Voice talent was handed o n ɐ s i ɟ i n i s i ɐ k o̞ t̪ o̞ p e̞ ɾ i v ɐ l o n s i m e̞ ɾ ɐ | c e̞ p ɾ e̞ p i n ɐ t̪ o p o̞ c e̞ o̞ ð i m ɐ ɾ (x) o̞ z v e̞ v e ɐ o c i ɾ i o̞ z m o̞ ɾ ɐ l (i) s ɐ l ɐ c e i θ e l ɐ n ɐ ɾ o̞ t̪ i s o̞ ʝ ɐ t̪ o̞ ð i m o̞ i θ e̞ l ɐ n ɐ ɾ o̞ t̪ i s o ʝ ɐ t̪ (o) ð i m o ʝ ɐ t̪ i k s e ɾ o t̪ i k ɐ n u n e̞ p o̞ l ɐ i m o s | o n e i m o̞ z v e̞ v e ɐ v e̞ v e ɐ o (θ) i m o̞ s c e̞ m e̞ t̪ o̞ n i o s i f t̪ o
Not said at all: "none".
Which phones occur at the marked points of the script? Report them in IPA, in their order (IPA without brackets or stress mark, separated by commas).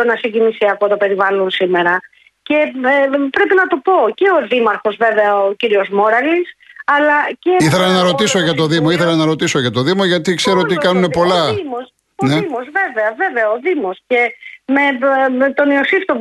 x, i, o, ð